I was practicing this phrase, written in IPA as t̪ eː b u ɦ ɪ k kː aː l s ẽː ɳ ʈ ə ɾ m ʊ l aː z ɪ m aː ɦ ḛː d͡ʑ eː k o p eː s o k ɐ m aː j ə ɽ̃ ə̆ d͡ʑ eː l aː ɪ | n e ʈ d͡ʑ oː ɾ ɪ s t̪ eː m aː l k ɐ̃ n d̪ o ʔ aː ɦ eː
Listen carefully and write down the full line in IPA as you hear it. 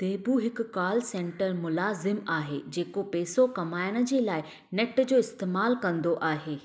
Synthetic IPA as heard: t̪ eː b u ɦ ɪ k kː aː l s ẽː ɳ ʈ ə ɾ m ʊ l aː z ɪ m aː ɦ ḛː d͡ʑ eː k o p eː s o k ɐ m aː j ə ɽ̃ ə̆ d͡ʑ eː l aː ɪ | n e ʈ d͡ʑ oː ɪ s t̪ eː m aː l k ɐ̃ n d̪ o ʔ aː ɦ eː